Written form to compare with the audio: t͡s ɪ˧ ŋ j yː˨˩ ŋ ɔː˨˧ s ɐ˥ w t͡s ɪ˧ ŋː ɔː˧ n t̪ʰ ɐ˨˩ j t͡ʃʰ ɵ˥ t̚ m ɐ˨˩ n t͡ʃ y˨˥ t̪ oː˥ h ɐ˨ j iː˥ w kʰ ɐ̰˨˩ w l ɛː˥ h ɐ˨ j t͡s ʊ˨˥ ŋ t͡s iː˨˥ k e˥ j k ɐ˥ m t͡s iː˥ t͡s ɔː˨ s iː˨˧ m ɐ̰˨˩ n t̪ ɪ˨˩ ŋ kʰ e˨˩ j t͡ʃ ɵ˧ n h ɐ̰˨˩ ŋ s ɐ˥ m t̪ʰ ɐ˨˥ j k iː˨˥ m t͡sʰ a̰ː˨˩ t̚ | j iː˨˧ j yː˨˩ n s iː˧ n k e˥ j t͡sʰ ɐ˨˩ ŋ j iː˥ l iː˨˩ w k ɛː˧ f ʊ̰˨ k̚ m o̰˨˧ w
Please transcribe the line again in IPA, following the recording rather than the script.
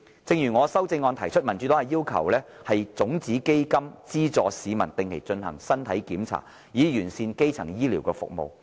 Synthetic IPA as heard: t͡s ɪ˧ ŋ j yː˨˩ ŋ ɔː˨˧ s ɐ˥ w t͡s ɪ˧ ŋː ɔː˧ n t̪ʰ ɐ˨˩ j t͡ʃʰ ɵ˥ t̚ m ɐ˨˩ n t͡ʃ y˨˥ t̪ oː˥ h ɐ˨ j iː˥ w kʰ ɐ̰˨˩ w l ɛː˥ h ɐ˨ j t͡s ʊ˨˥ ŋ t͡s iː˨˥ k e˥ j k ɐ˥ m t͡s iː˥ t͡s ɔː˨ s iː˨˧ m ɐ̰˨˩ n t̪ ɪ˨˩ ŋ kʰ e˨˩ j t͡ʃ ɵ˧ n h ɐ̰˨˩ ŋ s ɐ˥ n t̪ʰ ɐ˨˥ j k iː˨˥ m t͡sʰ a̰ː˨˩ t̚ | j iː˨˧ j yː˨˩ n s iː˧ n k e˥ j t͡sʰ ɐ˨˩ ŋ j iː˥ l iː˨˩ w k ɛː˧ f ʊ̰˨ k̚ m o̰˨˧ w